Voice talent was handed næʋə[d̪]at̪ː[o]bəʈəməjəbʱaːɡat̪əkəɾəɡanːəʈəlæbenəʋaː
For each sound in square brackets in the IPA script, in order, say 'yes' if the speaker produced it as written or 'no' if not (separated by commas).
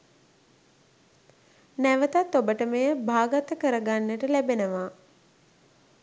no, yes